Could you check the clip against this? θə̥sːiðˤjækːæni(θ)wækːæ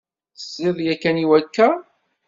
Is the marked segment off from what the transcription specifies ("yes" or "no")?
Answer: yes